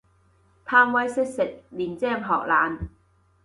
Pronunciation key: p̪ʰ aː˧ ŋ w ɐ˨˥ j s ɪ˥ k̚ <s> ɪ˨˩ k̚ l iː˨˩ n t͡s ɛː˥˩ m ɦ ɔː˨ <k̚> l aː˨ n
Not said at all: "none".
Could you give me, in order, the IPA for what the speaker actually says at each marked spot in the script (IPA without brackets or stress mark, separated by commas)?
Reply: s, k̚